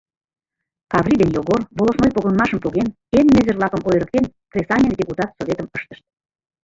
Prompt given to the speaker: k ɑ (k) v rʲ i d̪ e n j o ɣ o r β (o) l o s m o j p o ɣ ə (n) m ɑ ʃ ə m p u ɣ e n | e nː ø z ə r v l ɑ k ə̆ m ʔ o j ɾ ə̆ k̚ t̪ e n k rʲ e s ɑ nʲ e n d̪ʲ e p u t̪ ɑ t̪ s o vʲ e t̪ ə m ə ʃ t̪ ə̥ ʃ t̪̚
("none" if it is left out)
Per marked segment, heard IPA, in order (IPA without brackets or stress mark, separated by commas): none, o, n